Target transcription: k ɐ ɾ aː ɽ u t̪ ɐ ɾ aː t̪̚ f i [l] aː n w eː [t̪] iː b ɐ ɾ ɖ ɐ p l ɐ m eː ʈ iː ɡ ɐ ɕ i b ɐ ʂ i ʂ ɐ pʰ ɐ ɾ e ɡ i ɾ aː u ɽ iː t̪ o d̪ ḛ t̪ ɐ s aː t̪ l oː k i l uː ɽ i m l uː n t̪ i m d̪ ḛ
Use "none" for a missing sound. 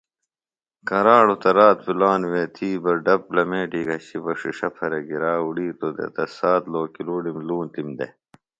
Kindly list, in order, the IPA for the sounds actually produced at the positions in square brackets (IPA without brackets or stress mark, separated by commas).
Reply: l, t̪ʰ